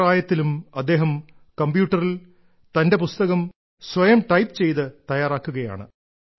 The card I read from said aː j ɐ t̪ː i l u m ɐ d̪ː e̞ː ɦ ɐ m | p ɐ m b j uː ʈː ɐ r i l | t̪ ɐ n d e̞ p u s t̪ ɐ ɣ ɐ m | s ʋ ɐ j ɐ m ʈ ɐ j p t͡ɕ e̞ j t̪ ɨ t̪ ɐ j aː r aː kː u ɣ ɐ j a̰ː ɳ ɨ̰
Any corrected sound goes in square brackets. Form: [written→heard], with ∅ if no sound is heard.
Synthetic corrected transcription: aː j ɐ t̪ː i l u m ɐ d̪ː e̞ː ɦ ɐ m | [p→k] ɐ m b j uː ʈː ɐ r i l | t̪ ɐ n d e̞ p u s t̪ ɐ ɣ ɐ m | s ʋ ɐ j ɐ m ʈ ɐ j p t͡ɕ e̞ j t̪ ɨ t̪ ɐ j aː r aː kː u ɣ ɐ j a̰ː ɳ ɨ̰

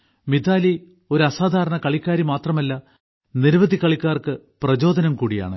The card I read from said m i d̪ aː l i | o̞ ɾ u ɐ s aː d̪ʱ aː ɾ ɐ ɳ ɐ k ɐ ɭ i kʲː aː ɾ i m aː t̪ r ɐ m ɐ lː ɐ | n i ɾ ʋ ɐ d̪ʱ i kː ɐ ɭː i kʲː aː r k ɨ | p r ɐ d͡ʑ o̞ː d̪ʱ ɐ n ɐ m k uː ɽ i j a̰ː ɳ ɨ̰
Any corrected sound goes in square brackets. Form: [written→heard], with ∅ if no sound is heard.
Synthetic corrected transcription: m i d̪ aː l i | o̞ ɾ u ɐ s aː d̪ʱ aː ɾ ɐ ɳ ɐ k ɐ ɭ i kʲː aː ɾ i m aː t̪ r ɐ m ɐ lː ɐ | n i ɾ ʋ ɐ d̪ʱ i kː ɐ [ɭː→ɭ] i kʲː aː r k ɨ | p r ɐ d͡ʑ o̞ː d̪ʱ ɐ n ɐ m k uː ɽ i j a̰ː ɳ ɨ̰

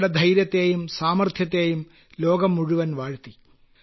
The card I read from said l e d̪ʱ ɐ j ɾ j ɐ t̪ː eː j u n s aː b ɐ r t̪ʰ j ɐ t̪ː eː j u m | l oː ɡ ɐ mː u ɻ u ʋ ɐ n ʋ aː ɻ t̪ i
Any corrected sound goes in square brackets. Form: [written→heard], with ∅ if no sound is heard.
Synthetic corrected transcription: [l→ɽ] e d̪ʱ ɐ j ɾ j ɐ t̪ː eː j u [n→m] s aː [b→m] ɐ r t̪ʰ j ɐ t̪ː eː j u m | l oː ɡ ɐ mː u ɻ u ʋ ɐ n ʋ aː ɻ t̪ i

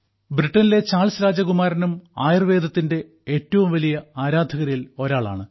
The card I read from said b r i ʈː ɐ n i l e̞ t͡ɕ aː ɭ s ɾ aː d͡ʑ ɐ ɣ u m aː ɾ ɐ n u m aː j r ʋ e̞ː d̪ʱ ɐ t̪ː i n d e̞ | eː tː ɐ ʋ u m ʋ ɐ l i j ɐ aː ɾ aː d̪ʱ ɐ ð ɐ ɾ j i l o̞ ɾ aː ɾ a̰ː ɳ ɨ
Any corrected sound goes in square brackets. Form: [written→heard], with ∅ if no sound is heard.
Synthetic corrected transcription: b r i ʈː ɐ n i l e̞ t͡ɕ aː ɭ s ɾ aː d͡ʑ ɐ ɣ u m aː ɾ ɐ n u m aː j r ʋ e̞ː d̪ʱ ɐ t̪ː i n d e̞ | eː tː ɐ ʋ u m ʋ ɐ l i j ɐ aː ɾ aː d̪ʱ ɐ [ð→ɣ] ɐ ɾ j i l o̞ ɾ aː [ɾ→ɭ] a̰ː ɳ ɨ

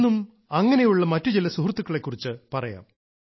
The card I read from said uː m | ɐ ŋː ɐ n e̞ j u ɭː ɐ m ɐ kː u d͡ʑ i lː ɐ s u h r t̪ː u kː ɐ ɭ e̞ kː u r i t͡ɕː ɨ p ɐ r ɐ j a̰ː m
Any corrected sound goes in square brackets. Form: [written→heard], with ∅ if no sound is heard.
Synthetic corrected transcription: [uː→u] m | ɐ ŋː ɐ n e̞ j u ɭː ɐ m ɐ [kː→tː] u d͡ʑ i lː ɐ s u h r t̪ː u kː ɐ ɭ e̞ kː u r i t͡ɕː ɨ p ɐ r ɐ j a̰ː m

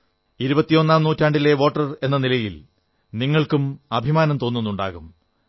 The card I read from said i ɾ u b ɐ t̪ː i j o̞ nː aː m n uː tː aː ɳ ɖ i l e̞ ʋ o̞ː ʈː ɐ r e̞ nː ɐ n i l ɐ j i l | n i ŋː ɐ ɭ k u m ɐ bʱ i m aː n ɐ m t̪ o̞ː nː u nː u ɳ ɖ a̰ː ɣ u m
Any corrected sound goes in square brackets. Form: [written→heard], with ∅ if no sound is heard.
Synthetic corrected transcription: i ɾ u b ɐ t̪ː i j o̞ nː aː m n uː tː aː ɳ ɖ i l e̞ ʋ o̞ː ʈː ɐ r e̞ nː ɐ n i l ɐ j i l | n i ŋː ɐ ɭ k u m ɐ bʱ i m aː n ɐ m t̪ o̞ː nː u nː u ɳ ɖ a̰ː ɣ u m

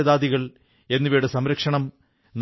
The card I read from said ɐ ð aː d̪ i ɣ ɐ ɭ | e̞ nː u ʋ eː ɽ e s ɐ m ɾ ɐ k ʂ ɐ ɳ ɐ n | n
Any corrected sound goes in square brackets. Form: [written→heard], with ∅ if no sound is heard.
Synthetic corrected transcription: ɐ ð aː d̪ i ɣ ɐ ɭ | e̞ nː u ʋ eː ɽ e s ɐ m ɾ ɐ k ʂ ɐ ɳ ɐ [n→m] | n

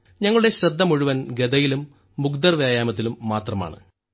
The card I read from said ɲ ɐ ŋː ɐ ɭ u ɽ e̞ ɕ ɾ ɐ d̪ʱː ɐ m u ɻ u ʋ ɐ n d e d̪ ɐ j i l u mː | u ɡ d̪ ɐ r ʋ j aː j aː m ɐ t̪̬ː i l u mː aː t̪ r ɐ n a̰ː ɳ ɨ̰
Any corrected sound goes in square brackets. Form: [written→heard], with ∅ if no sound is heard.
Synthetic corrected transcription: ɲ ɐ ŋː ɐ ɭ u ɽ e̞ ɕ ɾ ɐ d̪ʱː ɐ m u ɻ u ʋ ɐ n [d→ɡ] e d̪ ɐ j i l u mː | u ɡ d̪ ɐ r ʋ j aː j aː m ɐ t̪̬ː i l u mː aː t̪ r ɐ [n→m] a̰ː ɳ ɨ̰

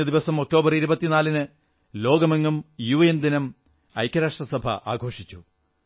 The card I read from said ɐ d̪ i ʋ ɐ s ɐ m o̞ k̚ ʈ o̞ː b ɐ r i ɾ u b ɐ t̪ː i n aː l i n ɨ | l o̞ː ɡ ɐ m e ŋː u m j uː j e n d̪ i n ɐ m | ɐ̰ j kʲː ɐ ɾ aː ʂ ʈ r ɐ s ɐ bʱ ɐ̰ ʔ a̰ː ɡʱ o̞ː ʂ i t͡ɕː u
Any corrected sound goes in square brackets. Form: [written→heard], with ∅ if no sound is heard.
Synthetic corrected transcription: ɐ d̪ i ʋ ɐ s ɐ m o̞ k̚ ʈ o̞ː b ɐ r i ɾ u b ɐ t̪ː i n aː l i n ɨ | l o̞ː ɡ ɐ m e ŋː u m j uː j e n d̪ i n ɐ m | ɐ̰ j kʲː ɐ ɾ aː ʂ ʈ r ɐ s ɐ bʱ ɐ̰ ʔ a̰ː ɡʱ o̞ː ʂ i t͡ɕː u

